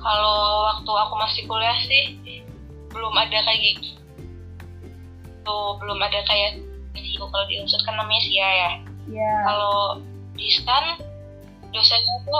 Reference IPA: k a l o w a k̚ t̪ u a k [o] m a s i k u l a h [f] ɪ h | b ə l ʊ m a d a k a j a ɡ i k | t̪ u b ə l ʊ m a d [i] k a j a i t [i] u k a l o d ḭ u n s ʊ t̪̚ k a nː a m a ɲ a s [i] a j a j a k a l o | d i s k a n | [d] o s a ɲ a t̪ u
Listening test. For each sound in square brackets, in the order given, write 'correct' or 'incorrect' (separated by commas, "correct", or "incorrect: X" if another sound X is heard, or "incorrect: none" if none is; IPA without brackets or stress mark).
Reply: incorrect: u, incorrect: s, incorrect: a, correct, correct, correct